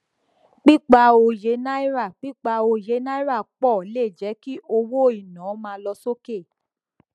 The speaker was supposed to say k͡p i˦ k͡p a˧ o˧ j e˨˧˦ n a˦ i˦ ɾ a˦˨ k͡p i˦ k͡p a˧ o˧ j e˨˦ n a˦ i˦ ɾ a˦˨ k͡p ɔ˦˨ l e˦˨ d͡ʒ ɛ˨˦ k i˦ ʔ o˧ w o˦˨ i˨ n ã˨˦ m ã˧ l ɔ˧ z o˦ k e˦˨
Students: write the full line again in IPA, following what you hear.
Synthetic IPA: k͡p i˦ k͡p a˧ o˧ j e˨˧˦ n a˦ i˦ ɾ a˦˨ k͡p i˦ k͡p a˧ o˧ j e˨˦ n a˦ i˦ ɾ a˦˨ k͡p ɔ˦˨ l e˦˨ d͡ʒ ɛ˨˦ k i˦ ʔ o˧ w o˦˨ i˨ n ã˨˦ m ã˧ l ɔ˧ s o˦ k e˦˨